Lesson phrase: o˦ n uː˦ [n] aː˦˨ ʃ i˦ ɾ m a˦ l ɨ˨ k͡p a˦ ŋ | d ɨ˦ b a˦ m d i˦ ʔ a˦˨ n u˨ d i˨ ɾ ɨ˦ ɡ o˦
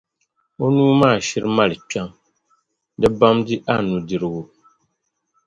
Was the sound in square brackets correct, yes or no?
no